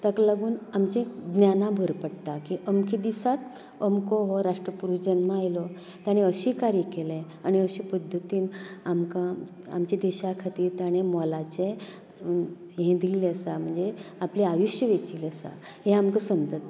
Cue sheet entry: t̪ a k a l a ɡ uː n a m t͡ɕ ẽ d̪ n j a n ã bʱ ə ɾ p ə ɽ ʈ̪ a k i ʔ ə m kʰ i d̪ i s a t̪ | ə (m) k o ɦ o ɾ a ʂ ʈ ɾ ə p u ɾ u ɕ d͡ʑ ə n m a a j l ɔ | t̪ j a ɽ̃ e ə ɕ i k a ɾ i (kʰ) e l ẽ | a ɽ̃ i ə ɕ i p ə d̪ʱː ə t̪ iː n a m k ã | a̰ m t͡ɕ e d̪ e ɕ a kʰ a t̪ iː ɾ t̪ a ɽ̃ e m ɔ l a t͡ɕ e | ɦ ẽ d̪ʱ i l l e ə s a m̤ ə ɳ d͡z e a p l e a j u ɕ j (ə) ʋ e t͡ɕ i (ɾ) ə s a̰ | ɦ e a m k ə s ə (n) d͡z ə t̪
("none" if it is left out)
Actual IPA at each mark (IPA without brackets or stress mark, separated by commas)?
m, k, ə, l, m